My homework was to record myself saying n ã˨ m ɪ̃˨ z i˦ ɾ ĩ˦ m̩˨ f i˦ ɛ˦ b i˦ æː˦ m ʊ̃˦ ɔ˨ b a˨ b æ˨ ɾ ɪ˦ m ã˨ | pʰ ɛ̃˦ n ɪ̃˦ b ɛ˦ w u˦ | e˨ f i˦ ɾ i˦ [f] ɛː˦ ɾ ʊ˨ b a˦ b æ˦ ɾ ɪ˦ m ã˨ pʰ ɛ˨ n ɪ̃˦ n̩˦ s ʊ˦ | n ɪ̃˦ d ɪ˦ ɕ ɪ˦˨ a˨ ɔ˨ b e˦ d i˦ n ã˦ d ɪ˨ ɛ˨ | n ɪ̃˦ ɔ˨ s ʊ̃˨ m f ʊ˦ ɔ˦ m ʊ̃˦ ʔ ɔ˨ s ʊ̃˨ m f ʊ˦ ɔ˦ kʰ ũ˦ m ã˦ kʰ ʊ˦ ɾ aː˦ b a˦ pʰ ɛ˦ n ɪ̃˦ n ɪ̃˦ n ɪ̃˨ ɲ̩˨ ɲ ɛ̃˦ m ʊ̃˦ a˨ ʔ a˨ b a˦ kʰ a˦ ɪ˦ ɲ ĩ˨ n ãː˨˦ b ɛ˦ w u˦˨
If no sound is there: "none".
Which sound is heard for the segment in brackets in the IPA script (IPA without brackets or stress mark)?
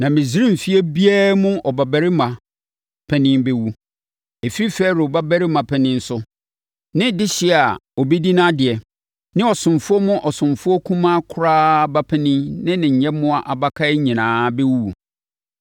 f